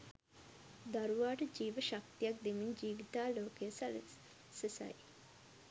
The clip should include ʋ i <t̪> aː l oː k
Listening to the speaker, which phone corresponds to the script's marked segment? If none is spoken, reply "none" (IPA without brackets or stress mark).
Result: t̪